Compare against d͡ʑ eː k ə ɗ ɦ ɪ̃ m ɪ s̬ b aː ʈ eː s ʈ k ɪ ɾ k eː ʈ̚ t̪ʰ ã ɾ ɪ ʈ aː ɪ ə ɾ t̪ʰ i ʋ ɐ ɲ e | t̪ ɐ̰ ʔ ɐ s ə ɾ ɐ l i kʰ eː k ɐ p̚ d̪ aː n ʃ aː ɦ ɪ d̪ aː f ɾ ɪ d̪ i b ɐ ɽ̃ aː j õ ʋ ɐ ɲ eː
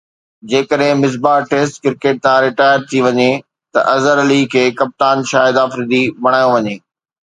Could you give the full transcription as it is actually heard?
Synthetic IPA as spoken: d͡ʑ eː k ə ɗ ɦ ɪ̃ m ɪ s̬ b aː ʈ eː s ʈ k ɪ ɾ k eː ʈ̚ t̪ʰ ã ɾ ɪ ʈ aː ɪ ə ɾ t̪ʰ i ʋ ɐ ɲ e | t̪ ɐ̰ ʔ ɐ z ə ɾ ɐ l i kʰ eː k ɐ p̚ t̪ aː n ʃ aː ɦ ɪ d̪ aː f ɾ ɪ d̪ i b ɐ ɽ̃ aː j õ ʋ ɐ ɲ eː